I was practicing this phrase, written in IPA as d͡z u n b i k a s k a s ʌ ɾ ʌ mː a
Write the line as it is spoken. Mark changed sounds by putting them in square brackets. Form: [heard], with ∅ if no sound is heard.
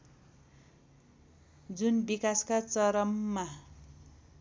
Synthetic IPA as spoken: d͡z u n b i k a s k a [t͡s] ʌ ɾ ʌ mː a